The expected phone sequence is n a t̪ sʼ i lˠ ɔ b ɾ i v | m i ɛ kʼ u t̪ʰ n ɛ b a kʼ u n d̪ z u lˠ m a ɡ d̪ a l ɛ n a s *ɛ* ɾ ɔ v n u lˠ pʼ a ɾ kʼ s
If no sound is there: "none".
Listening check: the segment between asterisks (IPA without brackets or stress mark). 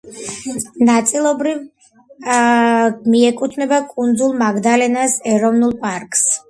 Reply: ɛ